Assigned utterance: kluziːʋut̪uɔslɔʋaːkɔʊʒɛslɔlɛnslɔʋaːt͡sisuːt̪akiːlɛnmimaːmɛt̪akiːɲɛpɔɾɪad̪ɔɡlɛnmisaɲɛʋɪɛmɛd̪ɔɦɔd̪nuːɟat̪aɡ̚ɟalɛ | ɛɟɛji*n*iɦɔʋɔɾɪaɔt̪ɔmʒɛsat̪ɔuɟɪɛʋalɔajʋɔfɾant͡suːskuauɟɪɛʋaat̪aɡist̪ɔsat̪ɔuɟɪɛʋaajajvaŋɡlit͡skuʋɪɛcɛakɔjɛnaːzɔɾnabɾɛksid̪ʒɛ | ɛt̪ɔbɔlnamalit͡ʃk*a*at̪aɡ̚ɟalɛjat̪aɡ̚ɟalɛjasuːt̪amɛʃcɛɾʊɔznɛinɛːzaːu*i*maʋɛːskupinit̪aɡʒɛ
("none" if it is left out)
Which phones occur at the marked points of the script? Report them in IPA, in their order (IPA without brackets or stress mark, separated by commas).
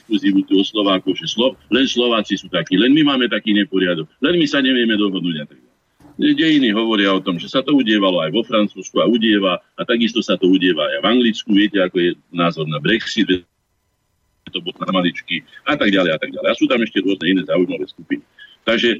n, i, j